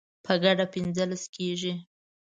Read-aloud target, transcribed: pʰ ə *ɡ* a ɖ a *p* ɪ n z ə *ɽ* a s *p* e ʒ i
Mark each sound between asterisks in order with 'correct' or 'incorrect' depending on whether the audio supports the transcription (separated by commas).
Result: correct, correct, incorrect, incorrect